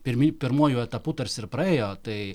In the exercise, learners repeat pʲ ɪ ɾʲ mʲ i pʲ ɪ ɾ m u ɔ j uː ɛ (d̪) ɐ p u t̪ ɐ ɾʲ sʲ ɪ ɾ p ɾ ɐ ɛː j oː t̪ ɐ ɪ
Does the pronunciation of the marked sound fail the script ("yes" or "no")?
yes